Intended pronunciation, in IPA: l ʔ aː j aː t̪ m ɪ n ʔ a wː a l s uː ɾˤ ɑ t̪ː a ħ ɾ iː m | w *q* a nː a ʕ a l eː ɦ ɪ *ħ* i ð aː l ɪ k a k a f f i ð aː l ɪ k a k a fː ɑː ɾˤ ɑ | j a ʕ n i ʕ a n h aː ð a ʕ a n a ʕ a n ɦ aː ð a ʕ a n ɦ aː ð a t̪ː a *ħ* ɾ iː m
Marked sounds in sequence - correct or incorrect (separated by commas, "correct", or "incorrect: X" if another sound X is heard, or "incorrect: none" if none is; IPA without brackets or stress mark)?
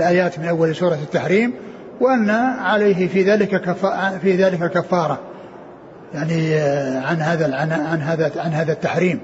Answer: incorrect: ʔ, incorrect: f, correct